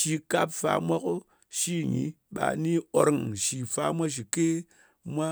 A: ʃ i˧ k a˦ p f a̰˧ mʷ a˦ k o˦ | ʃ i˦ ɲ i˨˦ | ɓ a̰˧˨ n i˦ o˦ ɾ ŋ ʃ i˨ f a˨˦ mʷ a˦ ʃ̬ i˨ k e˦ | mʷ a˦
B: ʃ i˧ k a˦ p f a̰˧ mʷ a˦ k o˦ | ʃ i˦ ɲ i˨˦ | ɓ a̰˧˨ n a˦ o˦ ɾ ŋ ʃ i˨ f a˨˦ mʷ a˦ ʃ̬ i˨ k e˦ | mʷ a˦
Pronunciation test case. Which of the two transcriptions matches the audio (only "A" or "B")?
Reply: A